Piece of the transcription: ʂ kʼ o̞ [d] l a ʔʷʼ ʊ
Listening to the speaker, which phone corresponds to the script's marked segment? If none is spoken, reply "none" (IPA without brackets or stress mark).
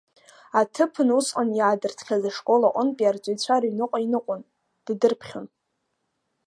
none